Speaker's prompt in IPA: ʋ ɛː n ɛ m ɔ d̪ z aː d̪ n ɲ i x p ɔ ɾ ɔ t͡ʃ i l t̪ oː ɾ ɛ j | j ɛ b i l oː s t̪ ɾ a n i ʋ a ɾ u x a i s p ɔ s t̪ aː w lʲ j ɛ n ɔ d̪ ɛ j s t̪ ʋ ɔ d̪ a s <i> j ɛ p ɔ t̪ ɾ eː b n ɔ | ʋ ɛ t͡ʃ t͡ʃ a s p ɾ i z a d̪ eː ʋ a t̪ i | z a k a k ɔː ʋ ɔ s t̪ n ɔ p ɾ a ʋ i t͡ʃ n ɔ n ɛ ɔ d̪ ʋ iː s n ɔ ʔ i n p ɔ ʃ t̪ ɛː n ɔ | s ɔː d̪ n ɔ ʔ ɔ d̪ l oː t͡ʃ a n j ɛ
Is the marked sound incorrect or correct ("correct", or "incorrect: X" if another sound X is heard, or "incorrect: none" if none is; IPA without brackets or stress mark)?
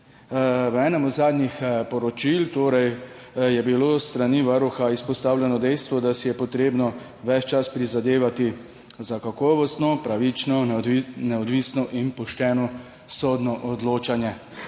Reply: correct